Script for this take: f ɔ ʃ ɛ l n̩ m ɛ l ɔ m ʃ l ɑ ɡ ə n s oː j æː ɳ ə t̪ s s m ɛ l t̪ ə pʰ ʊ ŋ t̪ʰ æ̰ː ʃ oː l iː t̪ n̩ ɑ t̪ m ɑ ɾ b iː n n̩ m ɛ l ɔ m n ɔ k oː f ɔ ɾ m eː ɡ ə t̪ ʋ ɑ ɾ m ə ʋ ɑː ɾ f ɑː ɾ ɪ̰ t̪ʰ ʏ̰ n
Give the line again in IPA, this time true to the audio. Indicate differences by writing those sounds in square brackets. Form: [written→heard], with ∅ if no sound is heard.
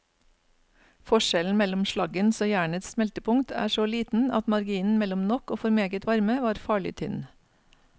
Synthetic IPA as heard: f ɔ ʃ ɛ l n̩ m ɛ l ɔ m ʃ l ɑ ɡ ə n s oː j æː ɳ ə t̪ s s m ɛ l t̪ ə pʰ ʊ ŋ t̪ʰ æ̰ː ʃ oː l iː t̪ n̩ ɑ t̪ m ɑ ɾ [b→ɡ] iː n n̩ m ɛ l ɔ m n ɔ k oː f ɔ ɾ m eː ɡ ə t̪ ʋ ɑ ɾ m ə ʋ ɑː ɾ f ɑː [ɾ→ɭ] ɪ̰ t̪ʰ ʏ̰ n